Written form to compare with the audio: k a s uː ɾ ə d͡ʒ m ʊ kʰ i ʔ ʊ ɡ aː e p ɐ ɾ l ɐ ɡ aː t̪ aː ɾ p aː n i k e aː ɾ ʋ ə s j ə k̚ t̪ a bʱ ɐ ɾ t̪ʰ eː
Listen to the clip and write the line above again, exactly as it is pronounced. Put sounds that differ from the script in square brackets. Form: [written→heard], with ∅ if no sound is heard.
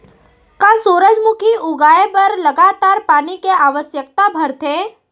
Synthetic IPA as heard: k a s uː ɾ ə d͡ʒ m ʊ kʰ i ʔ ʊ ɡ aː e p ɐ ɾ l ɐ ɡ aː t̪ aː ɾ p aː n i k e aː [ɾ→∅] ʋ ə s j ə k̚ t̪ a bʱ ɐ ɾ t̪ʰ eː